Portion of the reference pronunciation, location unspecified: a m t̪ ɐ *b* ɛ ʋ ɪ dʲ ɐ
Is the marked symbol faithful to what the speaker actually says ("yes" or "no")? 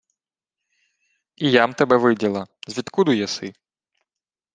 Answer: yes